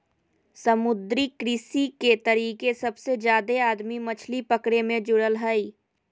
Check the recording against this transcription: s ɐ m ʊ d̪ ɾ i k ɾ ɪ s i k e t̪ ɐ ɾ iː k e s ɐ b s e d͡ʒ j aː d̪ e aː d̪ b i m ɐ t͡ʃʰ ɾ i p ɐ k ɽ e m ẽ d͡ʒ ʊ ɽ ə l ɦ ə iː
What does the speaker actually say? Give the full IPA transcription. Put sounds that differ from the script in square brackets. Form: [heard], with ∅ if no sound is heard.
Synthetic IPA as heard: s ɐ m ʊ d̪ ɾ i k ɾ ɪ s i k e t̪ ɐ ɾ iː k e s ɐ b s e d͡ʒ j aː d̪ e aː d̪ [m] i m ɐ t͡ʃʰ [l] i p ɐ k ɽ e m ẽ d͡ʒ ʊ ɽ ə l ɦ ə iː